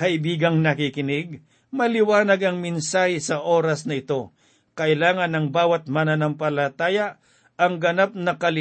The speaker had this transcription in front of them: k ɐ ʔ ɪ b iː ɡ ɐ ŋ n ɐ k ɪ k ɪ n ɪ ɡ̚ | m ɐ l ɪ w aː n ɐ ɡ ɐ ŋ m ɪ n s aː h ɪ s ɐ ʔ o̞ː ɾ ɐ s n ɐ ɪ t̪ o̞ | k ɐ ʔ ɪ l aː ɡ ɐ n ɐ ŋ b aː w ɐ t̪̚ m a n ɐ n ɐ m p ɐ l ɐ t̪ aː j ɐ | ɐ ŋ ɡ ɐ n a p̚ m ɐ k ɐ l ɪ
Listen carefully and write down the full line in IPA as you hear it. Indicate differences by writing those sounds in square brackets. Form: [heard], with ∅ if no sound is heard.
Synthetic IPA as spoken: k ɐ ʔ ɪ b iː ɡ ɐ ŋ n ɐ k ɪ k ɪ n ɪ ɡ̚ | m ɐ l ɪ w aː n ɐ ɡ ɐ ŋ m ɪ n s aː h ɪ s ɐ ʔ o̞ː ɾ ɐ s n ɐ ɪ t̪ o̞ | k ɐ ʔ ɪ l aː [ŋ] ɐ n ɐ ŋ b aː w ɐ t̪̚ m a n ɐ n ɐ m p ɐ l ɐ t̪ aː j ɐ | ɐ ŋ ɡ ɐ n a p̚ [n] ɐ k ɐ l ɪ